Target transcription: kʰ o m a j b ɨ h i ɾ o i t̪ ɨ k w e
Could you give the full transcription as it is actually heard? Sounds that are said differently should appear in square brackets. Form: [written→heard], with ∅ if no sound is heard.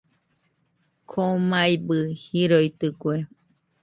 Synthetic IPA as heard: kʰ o m a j b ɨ h i ɾ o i t̪ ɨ k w e